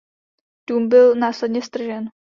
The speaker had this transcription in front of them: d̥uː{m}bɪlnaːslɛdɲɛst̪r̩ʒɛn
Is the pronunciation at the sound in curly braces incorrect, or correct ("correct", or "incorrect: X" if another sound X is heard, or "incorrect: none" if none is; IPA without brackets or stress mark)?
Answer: correct